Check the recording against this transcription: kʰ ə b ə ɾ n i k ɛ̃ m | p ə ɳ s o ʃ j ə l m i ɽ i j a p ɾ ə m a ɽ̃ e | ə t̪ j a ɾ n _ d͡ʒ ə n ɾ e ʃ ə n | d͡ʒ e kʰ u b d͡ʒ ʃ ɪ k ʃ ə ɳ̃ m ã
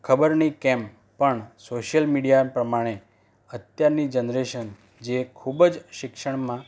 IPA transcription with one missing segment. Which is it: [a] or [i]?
i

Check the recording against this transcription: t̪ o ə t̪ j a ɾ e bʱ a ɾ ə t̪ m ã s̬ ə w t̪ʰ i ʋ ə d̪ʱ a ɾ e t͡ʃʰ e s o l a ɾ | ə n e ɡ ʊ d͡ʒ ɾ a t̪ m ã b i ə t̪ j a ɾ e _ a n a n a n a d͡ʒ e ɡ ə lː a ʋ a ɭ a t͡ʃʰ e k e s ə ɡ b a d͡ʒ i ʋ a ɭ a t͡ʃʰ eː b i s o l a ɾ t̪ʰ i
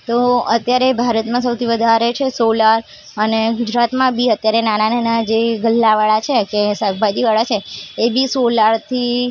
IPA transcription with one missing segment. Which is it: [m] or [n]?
n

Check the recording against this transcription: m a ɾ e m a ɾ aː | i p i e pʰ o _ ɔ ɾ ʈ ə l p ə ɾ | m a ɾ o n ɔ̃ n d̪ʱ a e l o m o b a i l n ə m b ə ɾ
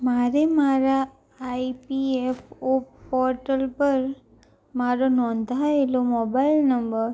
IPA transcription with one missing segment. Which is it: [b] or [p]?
p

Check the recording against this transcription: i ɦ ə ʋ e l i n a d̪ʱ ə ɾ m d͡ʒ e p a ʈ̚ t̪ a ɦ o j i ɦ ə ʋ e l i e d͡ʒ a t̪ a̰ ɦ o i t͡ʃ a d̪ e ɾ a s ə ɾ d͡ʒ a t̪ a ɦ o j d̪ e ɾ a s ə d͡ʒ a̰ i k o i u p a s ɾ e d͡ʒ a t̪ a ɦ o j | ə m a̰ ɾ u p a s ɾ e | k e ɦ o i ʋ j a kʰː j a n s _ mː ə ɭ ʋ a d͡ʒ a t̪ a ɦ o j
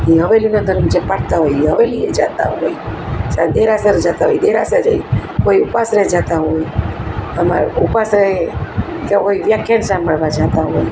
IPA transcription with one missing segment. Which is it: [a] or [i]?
a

